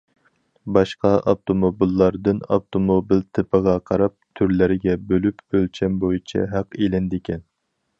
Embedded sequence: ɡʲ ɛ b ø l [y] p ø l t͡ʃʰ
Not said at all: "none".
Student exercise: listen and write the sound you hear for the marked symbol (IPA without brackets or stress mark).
y